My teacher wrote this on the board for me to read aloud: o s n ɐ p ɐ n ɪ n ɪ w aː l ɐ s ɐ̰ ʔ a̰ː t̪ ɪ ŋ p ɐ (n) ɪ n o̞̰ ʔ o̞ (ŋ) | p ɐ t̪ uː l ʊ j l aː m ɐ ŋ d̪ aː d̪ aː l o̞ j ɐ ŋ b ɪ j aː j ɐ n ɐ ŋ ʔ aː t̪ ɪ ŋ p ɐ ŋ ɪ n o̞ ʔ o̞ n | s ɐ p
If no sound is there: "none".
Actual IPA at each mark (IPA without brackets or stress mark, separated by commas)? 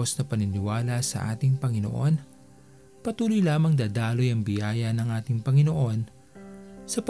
ŋ, n